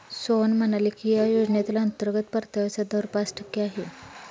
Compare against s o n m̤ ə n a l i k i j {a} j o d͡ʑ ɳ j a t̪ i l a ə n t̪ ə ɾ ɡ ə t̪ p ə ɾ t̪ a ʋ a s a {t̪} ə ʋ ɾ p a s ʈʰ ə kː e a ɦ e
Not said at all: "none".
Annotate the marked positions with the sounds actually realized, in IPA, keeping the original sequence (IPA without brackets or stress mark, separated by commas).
a, d̪